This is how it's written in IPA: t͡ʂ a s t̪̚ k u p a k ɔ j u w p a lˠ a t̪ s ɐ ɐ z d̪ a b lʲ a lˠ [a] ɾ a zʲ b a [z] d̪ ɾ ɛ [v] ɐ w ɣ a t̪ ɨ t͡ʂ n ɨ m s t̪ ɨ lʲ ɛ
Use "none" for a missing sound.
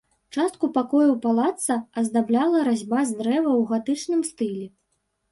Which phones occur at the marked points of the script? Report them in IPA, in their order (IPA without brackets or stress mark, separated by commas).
ɐ, z, v